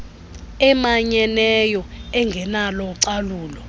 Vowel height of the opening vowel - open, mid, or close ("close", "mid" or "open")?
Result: mid